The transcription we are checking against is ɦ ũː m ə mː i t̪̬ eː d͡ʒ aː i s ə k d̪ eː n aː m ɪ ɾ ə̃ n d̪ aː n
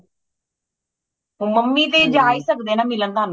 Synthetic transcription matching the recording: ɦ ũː m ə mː i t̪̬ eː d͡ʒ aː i s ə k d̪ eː n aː m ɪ l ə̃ n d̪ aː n

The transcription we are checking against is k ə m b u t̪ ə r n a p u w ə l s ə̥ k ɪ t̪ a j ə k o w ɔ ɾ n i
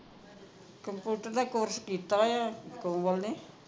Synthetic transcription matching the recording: k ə m p u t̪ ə r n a k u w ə r s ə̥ k i t̪ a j a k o w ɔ l n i

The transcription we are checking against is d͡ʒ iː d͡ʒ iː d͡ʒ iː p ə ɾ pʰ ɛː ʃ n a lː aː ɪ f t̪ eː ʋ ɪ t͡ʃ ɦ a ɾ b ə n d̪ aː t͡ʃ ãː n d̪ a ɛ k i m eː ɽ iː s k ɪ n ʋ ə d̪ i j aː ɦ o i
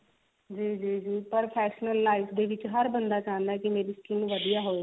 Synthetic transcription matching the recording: d͡ʒ iː d͡ʒ iː d͡ʒ iː p ə ɾ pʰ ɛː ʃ n ə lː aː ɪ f d̪ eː ʋ ɪ t͡ʃ ɦ ə ɾ b ə n d̪ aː t͡ʃ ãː n d̪ a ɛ k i m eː ɾ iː s k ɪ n ʋ ə d̪ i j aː ɦ o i

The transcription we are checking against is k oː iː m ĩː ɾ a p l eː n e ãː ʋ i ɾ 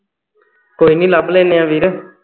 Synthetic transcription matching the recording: k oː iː n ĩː l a b l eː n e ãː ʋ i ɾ

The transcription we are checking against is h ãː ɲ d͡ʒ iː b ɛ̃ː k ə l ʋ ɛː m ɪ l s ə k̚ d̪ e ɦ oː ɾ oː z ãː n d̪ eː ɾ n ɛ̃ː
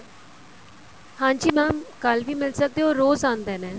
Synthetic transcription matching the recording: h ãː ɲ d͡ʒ iː m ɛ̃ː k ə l ʋ iː m ɪ l s ə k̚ d̪ e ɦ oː ɾ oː z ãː n d̪ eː n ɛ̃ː

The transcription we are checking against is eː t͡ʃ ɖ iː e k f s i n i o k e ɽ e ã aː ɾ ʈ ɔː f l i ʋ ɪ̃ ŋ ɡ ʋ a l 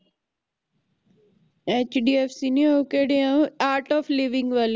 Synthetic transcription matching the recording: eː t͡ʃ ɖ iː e f s i n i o k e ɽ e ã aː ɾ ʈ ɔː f l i ʋ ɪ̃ ŋ ɡ ʋ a l

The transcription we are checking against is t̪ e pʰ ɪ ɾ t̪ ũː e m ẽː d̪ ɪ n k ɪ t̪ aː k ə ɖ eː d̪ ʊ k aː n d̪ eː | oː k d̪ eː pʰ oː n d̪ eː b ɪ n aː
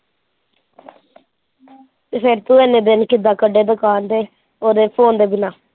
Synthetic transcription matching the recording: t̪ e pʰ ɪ ɾ t̪ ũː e n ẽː d̪ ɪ n k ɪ d̪ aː k ə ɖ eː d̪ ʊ k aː n d̪ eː | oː d̪ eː pʰ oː n d̪ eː b ɪ n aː

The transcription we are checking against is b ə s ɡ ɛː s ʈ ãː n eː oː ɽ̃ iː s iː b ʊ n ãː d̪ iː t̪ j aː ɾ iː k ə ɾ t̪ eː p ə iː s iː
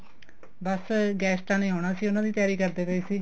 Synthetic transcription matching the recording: b ə s ɡ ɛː s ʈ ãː n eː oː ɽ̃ aː s iː ʊ n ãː d̪ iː t̪ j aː ɾ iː k ə ɾ d̪ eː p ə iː s iː

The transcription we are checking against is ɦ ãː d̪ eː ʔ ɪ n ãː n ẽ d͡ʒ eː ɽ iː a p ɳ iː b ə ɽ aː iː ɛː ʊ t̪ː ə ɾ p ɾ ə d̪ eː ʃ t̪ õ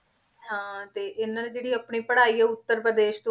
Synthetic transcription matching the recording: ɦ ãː t̪ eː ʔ ɪ n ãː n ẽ d͡ʒ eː ɽ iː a p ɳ iː p ə ɽ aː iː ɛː ʊ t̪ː ə ɾ p ɾ ə d̪ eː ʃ t̪ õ

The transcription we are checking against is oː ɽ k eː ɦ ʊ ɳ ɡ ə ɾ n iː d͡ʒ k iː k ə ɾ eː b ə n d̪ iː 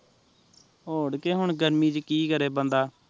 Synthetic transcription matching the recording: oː ɽ k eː ɦ ʊ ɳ ɡ ə ɾ m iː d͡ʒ k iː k ə ɾ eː b ə n d̪ aː

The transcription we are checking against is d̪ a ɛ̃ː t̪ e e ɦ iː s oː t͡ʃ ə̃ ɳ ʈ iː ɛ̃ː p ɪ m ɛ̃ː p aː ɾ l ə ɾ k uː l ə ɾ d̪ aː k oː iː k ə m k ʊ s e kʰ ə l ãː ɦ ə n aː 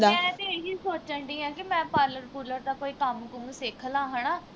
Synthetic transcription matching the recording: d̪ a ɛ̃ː t̪ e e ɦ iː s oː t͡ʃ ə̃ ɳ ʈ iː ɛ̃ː k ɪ m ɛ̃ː p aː ɾ l ə ɾ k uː l ə ɾ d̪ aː k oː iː k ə m k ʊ s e kʰ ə l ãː ɦ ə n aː

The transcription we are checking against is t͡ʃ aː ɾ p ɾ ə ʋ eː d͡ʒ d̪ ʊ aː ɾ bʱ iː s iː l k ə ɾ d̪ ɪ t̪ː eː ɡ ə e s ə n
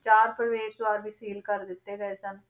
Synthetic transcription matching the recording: t͡ʃ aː ɾ p ɾ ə ʋ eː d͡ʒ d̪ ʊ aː ɾ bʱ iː s iː l k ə ɾ d̪ ɪ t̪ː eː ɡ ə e s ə n

